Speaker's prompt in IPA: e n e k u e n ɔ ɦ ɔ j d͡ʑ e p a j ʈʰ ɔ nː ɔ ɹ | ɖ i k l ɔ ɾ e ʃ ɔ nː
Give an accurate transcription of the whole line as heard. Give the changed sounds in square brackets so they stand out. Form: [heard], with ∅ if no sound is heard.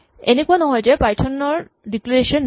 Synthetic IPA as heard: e n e k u [a] n ɔ ɦ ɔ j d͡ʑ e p a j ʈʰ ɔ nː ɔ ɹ | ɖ i k l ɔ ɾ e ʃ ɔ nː